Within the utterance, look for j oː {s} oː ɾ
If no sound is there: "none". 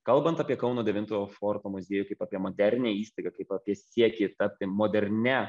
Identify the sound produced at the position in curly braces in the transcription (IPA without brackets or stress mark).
f